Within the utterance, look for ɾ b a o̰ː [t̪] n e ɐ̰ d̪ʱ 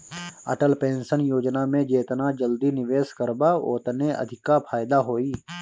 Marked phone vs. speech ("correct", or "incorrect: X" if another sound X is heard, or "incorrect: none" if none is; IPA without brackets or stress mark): correct